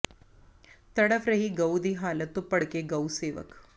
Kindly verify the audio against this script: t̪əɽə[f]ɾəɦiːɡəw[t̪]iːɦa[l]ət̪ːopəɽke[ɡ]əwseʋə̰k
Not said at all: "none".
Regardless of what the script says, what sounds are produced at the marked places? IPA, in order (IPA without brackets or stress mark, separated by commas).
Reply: f, d̪, l, ɡ